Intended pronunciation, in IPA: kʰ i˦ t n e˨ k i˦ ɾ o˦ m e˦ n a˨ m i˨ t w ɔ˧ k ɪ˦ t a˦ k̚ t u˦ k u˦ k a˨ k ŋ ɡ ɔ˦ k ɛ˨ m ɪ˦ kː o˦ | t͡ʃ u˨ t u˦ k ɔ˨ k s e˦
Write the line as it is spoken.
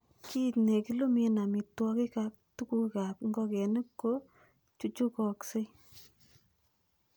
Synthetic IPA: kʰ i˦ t n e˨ k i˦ l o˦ m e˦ n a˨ m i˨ t w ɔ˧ k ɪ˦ k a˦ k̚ t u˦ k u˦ k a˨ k ŋ ɡ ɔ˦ k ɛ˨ n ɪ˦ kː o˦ | t͡ʃ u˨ t͡ʃ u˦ k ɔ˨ k s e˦